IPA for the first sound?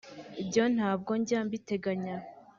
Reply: i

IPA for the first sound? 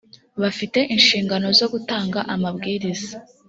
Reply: β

